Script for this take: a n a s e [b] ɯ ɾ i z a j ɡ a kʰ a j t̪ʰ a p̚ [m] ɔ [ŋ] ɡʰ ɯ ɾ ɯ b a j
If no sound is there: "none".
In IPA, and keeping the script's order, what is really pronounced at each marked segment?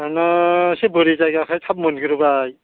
b, m, n

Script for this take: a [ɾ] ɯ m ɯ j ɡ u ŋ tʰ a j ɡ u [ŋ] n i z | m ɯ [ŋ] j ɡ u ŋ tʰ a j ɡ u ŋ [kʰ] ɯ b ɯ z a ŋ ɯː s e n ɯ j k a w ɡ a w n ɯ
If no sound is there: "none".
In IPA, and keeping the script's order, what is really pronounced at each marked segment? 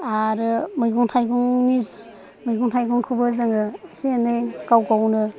ɾ, ŋ, none, kʰ

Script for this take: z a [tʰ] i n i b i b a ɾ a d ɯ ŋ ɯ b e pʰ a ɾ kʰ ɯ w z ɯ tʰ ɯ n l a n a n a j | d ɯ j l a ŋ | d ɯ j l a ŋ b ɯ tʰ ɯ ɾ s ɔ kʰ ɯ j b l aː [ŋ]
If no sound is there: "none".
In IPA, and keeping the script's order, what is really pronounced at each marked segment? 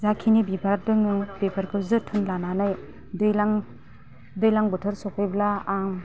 kʰ, ŋ

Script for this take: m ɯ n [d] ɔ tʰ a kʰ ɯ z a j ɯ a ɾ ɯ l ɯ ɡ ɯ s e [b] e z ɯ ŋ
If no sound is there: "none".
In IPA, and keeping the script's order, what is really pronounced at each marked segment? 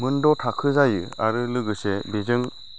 d, b

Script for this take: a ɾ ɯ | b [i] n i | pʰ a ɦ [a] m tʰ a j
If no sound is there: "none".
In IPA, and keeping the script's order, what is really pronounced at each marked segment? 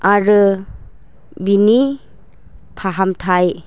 i, a

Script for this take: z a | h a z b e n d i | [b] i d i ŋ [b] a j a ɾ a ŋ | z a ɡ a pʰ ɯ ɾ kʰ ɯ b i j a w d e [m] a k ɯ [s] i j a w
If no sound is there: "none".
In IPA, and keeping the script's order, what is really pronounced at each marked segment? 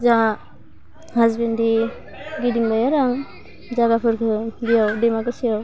ɡ, b, m, s

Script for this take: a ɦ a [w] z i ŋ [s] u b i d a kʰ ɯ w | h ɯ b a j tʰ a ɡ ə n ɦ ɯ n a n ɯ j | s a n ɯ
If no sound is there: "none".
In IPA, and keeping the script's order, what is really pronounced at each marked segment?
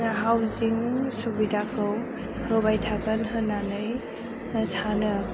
w, s

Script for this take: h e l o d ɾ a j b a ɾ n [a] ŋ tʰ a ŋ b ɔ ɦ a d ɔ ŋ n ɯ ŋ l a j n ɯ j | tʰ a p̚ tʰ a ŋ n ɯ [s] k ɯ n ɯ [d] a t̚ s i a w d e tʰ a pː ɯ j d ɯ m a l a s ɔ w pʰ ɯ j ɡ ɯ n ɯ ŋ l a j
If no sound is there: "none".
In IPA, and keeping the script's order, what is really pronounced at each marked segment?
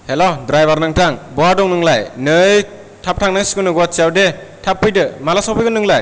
a, s, ɡ

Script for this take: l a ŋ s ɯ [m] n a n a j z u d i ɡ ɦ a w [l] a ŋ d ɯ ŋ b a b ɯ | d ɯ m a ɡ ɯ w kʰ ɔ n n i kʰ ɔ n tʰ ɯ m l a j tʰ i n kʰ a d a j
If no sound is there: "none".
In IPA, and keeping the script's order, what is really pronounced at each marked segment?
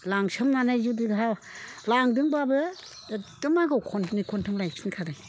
m, l

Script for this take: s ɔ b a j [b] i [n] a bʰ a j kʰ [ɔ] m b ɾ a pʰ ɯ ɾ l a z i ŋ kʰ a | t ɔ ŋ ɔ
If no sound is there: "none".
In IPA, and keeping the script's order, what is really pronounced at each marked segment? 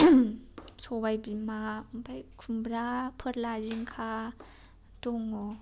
b, m, u

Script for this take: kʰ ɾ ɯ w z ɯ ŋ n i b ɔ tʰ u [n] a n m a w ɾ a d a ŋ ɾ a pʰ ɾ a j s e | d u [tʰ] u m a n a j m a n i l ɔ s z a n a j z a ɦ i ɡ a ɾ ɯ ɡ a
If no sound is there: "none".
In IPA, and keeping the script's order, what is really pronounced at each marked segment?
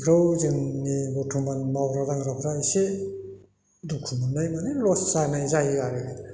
m, kʰ

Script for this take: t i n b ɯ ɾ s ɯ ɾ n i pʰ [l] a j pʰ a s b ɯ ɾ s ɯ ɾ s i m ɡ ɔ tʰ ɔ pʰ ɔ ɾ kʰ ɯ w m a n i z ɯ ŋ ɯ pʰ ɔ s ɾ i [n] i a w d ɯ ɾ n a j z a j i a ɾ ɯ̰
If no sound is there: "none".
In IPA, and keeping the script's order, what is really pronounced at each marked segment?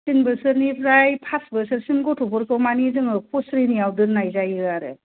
ɾ, n

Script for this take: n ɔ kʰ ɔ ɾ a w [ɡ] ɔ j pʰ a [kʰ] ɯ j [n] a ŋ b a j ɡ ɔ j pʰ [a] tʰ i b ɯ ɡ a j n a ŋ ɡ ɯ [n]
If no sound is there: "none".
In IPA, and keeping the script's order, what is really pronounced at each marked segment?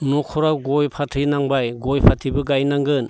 ɡ, tʰ, n, a, n

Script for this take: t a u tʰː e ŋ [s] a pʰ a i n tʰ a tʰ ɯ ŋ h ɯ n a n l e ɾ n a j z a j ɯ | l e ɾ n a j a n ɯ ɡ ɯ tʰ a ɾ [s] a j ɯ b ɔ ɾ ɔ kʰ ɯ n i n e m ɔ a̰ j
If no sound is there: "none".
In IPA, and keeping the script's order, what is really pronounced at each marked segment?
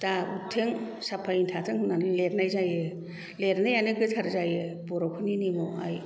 s, z

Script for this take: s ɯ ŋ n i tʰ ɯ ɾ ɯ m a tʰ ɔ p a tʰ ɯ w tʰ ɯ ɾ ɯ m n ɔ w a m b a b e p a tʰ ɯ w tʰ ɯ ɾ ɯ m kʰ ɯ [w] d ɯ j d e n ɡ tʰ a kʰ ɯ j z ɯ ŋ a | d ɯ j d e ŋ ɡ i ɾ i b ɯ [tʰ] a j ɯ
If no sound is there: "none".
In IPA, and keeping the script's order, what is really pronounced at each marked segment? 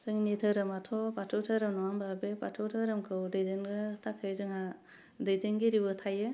w, tʰ

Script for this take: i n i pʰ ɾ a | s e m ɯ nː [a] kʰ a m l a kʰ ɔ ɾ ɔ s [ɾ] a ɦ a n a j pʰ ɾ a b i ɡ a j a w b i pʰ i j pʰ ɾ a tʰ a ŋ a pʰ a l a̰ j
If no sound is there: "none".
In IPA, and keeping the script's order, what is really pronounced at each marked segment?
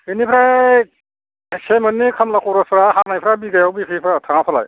i, ɾ

